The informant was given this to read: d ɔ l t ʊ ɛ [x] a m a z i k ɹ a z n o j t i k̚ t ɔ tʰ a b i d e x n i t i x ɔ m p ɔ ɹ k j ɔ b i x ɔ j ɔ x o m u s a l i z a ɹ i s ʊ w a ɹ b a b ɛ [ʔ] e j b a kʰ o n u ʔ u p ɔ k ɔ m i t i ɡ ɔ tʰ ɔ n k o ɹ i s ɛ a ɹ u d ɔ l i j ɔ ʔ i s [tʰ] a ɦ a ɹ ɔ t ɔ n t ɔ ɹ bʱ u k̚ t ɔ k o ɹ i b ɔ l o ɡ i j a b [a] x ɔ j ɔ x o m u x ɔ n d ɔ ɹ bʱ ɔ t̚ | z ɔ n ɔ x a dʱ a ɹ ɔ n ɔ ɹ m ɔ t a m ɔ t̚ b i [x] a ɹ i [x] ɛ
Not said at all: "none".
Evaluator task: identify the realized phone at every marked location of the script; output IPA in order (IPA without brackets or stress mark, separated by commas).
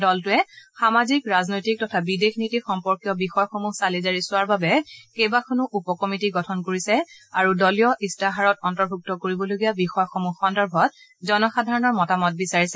x, k, t, i, s, s